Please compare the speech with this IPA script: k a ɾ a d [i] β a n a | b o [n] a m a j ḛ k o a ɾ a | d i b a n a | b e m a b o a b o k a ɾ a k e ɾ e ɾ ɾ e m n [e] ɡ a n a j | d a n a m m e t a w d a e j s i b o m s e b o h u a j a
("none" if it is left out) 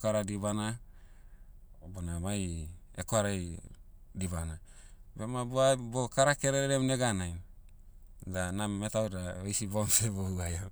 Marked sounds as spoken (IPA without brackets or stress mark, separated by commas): i, n, e